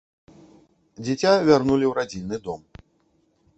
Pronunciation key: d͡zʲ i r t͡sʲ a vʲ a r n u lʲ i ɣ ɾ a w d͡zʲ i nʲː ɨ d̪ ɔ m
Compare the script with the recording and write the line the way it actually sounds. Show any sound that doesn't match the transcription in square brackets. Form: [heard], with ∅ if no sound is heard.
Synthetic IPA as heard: d͡zʲ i [∅] t͡sʲ a vʲ a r n u lʲ i [w] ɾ a [∅] d͡zʲ i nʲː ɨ d̪ ɔ m